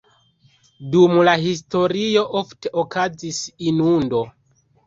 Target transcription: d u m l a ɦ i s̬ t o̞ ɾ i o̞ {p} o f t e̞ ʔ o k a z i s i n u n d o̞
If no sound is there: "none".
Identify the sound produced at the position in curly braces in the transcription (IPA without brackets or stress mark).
ʔ